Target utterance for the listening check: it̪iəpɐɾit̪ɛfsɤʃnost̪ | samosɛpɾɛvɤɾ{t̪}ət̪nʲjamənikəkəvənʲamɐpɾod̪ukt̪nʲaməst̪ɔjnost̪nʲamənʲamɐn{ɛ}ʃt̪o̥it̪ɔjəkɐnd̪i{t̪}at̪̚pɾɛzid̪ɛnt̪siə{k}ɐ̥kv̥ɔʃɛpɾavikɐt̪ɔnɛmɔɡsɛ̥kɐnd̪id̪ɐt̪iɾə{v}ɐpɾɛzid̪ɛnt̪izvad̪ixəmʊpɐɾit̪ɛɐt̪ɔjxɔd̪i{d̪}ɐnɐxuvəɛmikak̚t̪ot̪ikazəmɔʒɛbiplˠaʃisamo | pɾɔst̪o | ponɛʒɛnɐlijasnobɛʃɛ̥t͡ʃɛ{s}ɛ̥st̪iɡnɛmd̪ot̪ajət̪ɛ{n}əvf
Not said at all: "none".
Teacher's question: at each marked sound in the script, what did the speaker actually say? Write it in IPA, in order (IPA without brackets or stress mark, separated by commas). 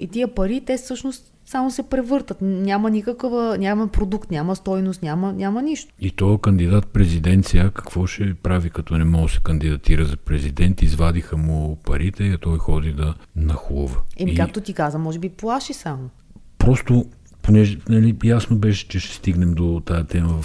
t̪, i, d̪, k, z, d̪, ʃ, m